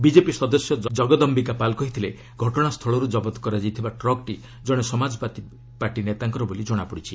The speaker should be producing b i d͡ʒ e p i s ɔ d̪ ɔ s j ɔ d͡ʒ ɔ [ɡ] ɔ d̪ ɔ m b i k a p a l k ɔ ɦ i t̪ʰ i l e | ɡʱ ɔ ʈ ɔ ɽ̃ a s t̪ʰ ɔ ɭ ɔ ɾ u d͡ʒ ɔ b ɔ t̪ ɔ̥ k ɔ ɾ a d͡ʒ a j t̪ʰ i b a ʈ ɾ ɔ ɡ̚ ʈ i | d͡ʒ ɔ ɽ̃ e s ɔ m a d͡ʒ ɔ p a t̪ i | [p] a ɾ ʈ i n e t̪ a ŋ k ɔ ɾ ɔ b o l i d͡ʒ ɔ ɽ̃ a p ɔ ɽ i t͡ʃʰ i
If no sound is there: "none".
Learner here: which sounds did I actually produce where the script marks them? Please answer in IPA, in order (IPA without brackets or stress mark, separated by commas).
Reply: ɡ, p